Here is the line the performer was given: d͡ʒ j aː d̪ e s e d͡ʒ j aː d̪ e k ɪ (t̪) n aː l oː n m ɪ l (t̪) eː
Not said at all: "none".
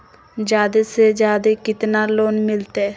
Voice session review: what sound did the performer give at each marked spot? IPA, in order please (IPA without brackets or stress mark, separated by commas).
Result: t̪, t̪